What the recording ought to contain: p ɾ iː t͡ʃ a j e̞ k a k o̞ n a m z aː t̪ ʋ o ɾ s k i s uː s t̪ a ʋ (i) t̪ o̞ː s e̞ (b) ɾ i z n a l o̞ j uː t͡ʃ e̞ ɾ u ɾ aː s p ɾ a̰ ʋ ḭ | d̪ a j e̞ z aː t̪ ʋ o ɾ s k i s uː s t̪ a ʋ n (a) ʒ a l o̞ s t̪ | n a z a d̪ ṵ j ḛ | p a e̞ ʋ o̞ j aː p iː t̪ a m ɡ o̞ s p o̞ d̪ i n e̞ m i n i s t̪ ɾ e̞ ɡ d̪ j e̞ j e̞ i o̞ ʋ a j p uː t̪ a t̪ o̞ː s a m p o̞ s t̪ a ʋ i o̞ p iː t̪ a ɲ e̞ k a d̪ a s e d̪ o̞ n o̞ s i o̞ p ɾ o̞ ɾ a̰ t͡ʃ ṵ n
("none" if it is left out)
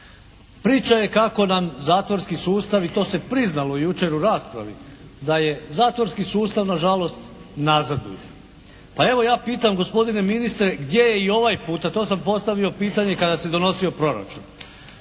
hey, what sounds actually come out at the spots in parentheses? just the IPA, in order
i, p, a

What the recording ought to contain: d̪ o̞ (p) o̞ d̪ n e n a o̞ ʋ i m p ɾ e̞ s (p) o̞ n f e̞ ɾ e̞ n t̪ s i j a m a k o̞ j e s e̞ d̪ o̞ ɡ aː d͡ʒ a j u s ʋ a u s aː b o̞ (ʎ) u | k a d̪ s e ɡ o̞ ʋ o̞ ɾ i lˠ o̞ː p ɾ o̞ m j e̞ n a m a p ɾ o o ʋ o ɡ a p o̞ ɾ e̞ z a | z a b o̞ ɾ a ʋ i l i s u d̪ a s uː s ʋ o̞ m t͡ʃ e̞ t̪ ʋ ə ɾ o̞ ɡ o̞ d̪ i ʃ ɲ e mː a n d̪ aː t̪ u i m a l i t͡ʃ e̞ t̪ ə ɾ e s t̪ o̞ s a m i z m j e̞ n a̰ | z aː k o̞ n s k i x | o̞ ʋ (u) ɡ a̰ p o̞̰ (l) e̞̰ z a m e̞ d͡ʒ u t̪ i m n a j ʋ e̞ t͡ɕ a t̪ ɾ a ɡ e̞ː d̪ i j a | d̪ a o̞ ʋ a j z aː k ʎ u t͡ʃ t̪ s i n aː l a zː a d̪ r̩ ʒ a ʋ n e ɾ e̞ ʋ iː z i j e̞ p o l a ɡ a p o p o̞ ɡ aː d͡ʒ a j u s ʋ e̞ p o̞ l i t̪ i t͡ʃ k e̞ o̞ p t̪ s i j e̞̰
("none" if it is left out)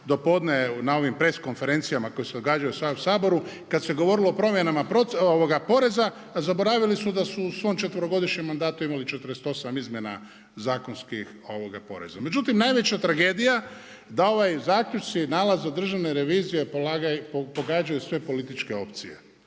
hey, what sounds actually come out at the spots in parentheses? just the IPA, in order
p, k, ɾ, o, ɾ

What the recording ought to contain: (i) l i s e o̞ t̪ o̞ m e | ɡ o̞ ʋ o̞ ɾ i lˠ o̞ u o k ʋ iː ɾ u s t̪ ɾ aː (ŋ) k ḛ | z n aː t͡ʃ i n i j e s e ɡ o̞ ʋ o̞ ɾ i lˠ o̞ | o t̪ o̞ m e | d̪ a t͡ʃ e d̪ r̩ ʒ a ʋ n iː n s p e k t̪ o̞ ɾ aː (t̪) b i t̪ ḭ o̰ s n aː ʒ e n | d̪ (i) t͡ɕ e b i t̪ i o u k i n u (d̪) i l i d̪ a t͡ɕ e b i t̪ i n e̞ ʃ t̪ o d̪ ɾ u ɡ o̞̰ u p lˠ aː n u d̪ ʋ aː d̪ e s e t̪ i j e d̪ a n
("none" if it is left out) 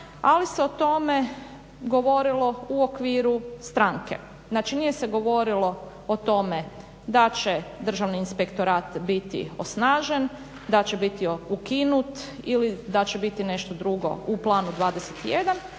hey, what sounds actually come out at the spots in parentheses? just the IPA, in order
a, ŋ, t̪, a, t̪

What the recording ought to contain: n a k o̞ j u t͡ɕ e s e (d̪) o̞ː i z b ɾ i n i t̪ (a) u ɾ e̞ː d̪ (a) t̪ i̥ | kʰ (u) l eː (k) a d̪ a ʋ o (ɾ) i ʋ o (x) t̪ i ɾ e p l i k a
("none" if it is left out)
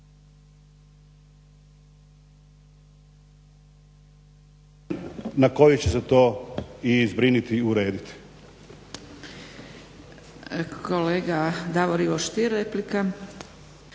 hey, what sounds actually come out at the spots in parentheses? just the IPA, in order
t̪, i, i, o, ɡ, ɾ, ʃ

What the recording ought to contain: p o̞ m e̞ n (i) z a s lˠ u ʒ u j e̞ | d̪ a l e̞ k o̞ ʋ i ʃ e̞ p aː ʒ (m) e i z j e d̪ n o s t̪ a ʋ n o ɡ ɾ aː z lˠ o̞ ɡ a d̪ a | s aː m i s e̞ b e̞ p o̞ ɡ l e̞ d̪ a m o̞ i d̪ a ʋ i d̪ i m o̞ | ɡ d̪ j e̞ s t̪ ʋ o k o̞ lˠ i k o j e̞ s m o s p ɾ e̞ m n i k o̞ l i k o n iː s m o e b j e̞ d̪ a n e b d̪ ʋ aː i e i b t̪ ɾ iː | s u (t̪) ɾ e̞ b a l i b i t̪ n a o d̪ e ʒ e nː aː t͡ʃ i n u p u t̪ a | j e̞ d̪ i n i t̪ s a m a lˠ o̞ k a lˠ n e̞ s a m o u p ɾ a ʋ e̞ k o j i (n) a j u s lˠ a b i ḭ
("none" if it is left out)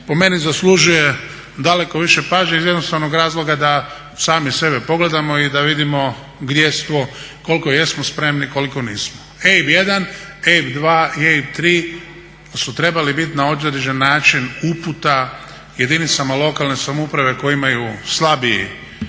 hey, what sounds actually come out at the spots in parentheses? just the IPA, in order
i, ɲ, t̪, m

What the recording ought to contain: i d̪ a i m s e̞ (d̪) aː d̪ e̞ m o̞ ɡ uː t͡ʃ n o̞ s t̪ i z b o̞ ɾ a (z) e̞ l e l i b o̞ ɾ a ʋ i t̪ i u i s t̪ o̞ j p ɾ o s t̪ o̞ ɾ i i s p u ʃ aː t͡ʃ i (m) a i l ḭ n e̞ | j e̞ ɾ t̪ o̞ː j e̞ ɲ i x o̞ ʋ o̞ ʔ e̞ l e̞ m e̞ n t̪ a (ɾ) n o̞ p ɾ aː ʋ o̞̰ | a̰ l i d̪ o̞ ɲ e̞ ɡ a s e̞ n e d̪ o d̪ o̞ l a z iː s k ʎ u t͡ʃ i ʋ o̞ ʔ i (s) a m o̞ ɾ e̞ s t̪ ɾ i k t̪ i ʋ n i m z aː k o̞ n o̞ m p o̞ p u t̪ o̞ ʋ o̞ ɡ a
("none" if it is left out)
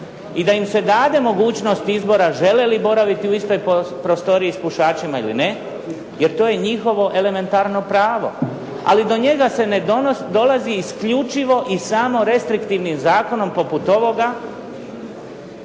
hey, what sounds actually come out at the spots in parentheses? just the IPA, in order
d̪, ʒ, m, ɾ, s

